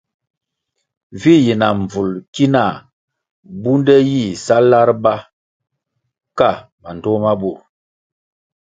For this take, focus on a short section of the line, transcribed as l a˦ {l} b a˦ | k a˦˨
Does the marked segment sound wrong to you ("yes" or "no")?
yes